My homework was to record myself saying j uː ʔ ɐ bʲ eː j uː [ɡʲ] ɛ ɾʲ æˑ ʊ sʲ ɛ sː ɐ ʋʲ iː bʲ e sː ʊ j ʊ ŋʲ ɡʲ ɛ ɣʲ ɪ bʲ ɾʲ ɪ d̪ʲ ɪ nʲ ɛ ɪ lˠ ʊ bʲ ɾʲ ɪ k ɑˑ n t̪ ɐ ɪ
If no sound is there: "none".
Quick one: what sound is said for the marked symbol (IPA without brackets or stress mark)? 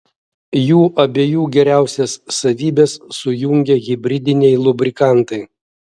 ɡʲ